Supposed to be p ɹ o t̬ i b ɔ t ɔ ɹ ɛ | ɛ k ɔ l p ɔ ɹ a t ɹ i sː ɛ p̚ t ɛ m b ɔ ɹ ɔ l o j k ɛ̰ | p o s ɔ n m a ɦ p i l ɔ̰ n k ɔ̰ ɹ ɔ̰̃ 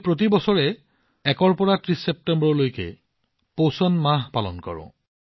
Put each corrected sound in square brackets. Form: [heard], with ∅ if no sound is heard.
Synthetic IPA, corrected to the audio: p ɹ o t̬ i b ɔ [s] ɔ ɹ ɛ | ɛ k ɔ [ɹ] p ɔ ɹ a t ɹ i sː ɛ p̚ t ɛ m b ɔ ɹ ɔ l o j k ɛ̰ | p o s ɔ n m a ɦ p [a] l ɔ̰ n k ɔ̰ ɹ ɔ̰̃